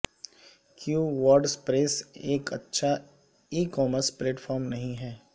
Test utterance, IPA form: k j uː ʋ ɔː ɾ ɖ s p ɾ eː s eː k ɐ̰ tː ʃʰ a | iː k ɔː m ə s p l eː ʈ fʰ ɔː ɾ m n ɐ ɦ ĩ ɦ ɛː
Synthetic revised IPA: k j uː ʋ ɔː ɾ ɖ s p ɾ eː s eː k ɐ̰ tː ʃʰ a | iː k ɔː m ə s p l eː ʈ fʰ ɔː ɾ m n ɐ ɦ ĩ ɦ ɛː